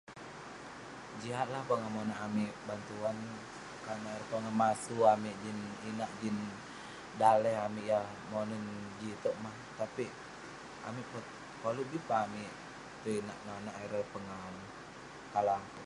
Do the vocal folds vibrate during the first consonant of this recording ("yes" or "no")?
yes